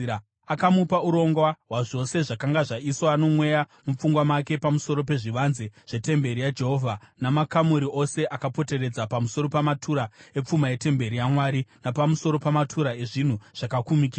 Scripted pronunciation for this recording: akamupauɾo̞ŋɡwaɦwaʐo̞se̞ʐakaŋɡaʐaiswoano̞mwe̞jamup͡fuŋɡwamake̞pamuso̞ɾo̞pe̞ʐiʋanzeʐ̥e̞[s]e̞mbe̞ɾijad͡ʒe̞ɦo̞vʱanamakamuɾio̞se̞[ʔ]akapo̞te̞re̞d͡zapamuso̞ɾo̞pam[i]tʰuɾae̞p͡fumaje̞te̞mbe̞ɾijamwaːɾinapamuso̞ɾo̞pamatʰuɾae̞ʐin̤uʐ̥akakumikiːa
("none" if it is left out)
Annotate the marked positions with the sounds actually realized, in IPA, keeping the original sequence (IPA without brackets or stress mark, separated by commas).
t, ʔ, a